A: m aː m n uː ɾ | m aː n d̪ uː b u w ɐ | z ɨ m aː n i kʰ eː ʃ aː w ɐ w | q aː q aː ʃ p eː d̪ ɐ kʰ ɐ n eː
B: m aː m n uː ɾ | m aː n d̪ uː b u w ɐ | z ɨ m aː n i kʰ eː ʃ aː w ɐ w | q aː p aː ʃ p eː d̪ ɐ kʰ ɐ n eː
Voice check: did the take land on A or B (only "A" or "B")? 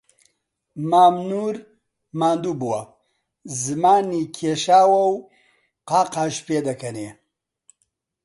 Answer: A